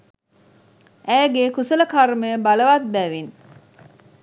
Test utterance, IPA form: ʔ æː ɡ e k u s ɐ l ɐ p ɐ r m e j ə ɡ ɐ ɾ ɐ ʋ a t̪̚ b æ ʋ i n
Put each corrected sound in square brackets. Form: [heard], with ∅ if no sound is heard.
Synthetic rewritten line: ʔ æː ɡ e k u s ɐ l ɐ [k] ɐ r m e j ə [b] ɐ [l] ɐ ʋ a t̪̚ b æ ʋ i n